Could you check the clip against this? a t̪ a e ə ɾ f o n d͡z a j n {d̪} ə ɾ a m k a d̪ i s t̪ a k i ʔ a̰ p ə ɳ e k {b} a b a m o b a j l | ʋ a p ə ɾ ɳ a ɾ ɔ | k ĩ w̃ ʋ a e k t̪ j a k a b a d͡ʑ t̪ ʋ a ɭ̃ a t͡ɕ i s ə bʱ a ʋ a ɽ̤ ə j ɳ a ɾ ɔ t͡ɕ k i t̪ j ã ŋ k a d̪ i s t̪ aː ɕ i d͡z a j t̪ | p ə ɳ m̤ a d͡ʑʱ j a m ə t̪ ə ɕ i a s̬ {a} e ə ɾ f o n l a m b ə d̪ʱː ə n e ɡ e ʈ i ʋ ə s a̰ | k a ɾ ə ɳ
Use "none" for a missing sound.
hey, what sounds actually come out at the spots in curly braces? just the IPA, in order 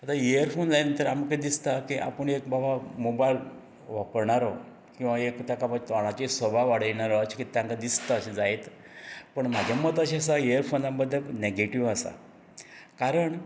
t̪, b, a

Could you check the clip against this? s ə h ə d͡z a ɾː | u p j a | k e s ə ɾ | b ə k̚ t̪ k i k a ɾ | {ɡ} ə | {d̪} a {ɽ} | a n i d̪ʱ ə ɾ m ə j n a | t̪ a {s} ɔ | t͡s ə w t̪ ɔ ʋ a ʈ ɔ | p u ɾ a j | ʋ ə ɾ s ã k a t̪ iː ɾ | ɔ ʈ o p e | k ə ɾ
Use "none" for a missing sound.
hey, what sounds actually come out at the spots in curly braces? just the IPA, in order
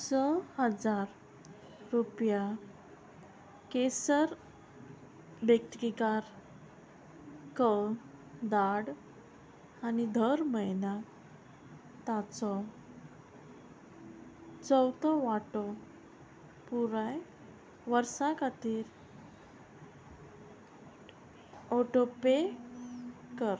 k, d̪, ɽ, t͡s

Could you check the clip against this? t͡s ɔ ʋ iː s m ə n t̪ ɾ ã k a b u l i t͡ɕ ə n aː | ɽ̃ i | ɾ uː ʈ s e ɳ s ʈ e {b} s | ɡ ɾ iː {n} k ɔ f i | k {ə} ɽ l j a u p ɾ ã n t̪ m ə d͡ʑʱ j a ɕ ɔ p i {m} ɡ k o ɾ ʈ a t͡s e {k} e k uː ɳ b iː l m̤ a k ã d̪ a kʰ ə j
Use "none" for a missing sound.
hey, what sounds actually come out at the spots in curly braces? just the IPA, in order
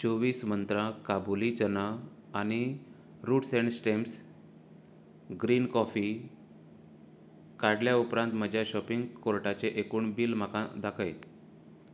m, n, a, ŋ, ʔ

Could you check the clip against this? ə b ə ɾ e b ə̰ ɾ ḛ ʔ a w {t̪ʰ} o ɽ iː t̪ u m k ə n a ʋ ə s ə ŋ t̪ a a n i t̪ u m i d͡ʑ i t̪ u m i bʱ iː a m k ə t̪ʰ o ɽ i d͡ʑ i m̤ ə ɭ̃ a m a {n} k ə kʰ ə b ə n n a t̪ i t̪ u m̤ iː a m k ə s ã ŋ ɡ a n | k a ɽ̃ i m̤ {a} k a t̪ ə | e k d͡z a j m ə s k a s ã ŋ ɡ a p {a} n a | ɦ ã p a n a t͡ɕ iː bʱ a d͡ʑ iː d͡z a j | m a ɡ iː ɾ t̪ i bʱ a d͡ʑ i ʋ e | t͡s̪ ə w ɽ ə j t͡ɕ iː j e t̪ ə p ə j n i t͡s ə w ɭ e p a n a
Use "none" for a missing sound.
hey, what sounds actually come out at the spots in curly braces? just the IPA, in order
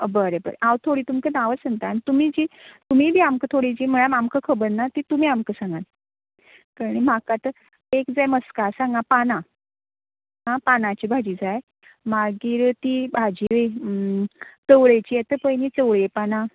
t̪ʰ, m, a, a

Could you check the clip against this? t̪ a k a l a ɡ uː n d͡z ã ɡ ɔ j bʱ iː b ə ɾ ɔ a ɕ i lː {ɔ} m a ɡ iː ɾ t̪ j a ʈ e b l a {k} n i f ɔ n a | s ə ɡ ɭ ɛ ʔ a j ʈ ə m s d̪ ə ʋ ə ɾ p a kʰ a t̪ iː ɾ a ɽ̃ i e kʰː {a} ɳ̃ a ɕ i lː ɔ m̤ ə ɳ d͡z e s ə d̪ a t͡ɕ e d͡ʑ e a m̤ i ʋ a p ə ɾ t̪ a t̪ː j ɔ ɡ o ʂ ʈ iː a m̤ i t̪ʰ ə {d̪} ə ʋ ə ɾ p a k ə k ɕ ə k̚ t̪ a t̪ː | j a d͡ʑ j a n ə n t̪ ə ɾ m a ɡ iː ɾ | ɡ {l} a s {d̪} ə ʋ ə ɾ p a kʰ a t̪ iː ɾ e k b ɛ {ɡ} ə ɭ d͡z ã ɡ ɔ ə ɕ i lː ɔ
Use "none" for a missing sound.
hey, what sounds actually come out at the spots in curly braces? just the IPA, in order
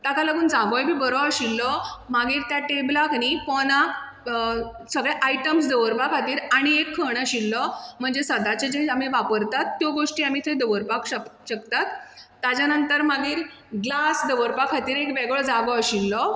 ɔ, k, ə, d̪, l, d̪, ɡ

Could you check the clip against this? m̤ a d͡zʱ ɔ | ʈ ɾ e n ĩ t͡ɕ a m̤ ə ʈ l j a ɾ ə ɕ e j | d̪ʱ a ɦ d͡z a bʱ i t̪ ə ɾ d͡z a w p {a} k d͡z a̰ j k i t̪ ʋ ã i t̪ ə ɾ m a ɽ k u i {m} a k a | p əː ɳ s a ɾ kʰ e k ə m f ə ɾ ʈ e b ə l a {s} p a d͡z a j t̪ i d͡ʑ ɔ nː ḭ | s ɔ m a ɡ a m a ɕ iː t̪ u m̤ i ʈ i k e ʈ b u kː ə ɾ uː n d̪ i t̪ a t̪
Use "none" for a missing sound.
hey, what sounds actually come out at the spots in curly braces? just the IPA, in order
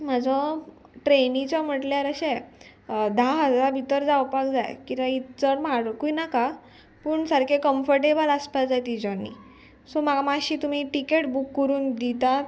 a, n, s

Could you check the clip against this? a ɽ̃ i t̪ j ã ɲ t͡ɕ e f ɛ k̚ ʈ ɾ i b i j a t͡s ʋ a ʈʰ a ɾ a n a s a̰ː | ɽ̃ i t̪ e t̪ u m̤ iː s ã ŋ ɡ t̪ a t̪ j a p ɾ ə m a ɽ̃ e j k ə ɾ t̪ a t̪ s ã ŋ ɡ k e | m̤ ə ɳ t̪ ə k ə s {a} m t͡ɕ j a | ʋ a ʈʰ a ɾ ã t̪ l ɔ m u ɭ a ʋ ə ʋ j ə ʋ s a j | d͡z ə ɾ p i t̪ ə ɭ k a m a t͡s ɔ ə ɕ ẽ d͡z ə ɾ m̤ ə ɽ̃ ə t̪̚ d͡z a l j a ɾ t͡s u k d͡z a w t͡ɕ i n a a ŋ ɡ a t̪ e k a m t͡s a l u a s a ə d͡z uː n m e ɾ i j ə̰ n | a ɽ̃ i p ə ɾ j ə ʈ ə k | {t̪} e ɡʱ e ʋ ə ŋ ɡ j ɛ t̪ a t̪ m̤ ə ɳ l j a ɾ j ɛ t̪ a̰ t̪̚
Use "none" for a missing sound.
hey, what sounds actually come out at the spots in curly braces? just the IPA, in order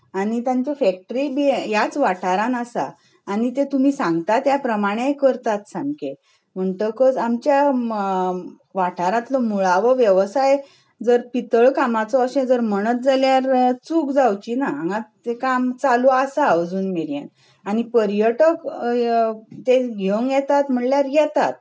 a, t̪

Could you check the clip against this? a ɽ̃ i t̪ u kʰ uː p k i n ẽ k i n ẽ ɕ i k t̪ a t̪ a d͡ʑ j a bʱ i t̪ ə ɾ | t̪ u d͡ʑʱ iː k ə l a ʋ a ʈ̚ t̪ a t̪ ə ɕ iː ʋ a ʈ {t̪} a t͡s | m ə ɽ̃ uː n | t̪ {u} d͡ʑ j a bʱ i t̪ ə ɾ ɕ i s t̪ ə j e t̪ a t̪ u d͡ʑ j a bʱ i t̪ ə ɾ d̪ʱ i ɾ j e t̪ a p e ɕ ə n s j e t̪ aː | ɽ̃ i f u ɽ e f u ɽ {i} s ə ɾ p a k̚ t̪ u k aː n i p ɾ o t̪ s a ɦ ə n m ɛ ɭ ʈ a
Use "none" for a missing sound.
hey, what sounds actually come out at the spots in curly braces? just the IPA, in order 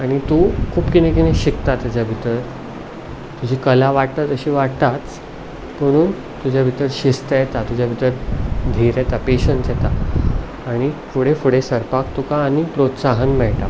t̪, u, e

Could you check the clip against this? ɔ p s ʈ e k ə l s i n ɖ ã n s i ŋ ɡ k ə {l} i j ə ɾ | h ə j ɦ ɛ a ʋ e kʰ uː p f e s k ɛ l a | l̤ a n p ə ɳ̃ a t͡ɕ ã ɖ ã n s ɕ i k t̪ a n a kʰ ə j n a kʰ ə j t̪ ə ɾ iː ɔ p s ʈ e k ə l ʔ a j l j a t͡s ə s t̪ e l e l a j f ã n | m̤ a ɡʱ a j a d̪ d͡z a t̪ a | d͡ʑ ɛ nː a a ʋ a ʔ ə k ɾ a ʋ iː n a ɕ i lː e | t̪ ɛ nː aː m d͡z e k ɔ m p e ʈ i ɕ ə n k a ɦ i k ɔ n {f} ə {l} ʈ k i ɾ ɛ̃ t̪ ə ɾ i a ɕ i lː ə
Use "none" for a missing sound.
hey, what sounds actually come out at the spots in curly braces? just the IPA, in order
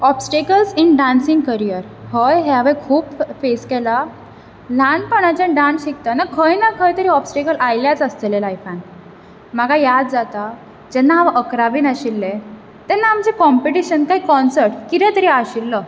ɾ, s, ɾ

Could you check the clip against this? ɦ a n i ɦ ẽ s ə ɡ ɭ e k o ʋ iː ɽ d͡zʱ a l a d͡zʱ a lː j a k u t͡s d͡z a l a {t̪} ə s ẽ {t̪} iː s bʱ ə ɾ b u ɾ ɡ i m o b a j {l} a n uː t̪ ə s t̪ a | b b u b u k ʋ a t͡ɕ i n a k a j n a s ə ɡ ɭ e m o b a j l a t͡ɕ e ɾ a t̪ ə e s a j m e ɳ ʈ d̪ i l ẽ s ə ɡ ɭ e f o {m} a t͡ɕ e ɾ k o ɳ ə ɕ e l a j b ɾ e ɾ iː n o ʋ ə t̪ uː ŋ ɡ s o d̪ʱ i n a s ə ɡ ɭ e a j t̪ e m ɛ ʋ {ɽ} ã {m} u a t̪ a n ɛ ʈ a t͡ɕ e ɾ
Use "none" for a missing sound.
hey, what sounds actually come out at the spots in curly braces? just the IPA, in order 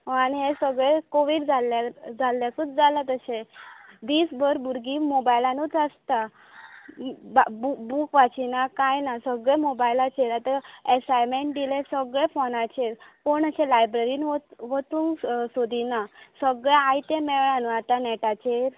t̪, d̪, l, n, ɭ, n

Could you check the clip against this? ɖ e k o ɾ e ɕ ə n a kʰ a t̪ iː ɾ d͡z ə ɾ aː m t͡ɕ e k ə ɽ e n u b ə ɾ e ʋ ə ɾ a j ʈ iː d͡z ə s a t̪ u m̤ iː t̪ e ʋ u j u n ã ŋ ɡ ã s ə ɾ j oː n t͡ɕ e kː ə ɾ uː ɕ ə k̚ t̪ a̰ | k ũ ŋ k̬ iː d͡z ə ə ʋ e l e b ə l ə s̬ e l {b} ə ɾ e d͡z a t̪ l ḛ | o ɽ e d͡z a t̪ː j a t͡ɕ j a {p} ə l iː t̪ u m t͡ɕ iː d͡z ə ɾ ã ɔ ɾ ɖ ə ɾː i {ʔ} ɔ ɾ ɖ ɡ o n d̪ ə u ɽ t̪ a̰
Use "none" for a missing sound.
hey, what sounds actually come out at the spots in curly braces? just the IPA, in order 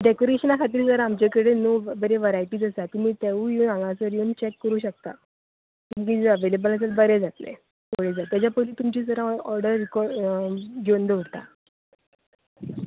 b, p, k

